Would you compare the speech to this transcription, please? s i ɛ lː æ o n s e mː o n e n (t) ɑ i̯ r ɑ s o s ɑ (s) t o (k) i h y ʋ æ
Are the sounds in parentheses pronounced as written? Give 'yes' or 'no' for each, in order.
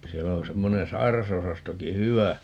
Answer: no, yes, yes

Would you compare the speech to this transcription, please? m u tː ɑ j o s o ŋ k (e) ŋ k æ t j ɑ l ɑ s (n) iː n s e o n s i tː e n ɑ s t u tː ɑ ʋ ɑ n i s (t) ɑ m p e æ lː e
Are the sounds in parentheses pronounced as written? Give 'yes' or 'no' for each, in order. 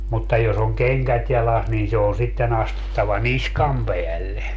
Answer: yes, yes, no

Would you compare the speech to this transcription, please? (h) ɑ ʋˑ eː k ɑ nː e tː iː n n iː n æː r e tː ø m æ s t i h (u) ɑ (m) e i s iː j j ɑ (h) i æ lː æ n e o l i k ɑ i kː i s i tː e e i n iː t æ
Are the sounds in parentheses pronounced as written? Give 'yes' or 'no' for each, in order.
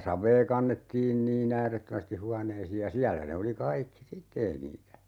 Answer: no, yes, no, no

